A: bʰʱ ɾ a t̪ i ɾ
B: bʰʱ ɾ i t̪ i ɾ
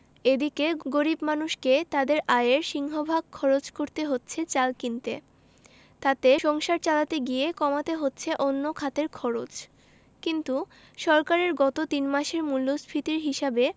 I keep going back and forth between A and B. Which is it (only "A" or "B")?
B